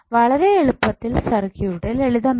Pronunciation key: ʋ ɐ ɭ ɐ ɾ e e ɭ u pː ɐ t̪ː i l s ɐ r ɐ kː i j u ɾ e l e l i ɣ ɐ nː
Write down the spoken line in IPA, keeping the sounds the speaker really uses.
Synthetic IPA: ʋ ɐ ɭ ɐ ɾ e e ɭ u pː ɐ t̪ː i l s ɐ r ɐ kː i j u ɽ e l e ɭ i ð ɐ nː